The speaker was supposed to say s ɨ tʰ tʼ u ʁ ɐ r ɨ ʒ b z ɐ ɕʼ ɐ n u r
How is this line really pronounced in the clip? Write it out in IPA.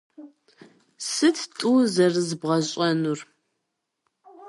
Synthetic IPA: s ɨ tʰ tʼ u z ɐ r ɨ z b ʁ ɐ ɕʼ ɐ n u r

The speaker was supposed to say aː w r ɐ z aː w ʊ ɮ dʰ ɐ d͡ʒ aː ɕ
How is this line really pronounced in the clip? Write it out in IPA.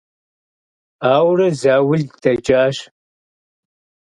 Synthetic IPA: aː w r ɐ z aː w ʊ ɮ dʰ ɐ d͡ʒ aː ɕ

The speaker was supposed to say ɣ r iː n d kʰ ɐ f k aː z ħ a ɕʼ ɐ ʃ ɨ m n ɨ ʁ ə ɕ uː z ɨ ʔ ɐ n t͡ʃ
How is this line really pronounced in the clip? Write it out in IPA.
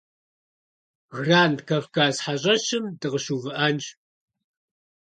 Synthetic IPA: ɣ r aː n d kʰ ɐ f k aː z ħ a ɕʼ ɐ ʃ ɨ m d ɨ ʁ ə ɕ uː v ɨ ʔ ɐ n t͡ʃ

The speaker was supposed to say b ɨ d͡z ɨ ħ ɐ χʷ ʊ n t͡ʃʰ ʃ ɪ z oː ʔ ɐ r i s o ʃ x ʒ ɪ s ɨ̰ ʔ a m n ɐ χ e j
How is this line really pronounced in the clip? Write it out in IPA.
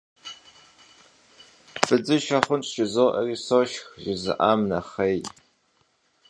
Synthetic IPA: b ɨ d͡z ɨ ʃ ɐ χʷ ʊ n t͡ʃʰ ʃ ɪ z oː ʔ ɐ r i s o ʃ x ʒ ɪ z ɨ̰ ʔ a m n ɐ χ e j

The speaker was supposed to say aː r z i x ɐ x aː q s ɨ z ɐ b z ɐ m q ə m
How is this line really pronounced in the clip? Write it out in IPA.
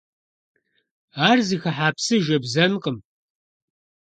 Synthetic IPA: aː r z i x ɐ ħ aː p s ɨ ʒ ɐ b z ɐ n q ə m

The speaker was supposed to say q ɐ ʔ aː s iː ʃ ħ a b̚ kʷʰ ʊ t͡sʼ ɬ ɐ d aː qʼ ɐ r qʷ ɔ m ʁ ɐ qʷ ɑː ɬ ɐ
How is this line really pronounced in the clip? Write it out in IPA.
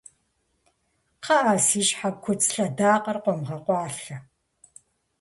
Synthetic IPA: q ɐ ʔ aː s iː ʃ ħ a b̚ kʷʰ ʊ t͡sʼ ɬ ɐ d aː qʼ ɐ r qʷ ɔ m ʁ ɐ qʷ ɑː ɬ ɐ

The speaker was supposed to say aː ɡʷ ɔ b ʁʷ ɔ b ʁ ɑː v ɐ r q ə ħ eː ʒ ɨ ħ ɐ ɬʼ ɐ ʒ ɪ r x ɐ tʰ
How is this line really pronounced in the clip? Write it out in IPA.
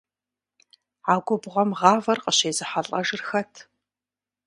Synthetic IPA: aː ɡʷ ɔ b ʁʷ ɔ m ʁ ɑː v ɐ r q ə ɕ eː z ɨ ħ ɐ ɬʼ ɐ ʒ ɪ r x ɐ tʰ

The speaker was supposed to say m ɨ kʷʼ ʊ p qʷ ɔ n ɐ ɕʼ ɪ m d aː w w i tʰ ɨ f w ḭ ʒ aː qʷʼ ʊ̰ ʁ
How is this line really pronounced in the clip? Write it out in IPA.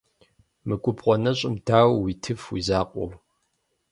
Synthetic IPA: m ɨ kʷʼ ʊ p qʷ ɔ n ɐ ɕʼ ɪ m d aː w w i tʰ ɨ f w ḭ z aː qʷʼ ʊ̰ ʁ

